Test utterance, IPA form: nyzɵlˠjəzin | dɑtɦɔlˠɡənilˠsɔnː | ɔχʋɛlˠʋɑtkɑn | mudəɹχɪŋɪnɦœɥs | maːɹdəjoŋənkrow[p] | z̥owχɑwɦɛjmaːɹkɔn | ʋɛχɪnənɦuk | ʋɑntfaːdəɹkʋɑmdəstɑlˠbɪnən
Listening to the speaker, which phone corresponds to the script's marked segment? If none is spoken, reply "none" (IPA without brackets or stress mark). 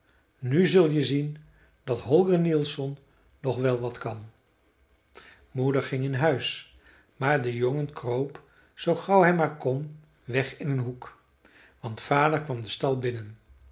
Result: p